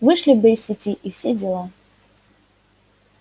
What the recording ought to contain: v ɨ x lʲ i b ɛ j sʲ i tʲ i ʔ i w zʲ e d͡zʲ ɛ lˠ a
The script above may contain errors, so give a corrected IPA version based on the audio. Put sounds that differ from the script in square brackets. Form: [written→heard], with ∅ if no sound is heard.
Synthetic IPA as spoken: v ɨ [x→ʂ] lʲ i b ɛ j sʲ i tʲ i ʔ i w [zʲ→sʲ] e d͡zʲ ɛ lˠ a